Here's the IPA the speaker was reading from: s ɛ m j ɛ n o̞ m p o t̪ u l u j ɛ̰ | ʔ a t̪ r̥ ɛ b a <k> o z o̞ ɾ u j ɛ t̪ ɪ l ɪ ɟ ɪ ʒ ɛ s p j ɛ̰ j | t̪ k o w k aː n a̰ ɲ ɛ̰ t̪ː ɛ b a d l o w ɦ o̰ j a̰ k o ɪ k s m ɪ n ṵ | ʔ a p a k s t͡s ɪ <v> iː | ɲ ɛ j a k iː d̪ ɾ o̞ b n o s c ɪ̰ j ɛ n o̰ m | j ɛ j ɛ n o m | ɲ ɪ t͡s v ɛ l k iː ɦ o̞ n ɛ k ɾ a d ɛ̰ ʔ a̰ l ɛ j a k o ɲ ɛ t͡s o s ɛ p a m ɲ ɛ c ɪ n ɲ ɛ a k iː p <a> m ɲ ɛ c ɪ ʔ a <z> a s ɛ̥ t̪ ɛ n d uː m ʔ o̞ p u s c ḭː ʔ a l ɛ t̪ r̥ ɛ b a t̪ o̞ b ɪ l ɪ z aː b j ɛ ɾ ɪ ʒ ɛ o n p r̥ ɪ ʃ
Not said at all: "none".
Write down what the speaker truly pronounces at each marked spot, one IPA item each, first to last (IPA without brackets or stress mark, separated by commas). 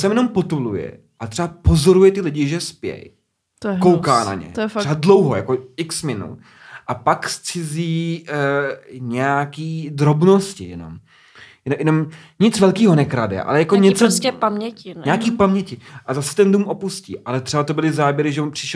p, z, a, z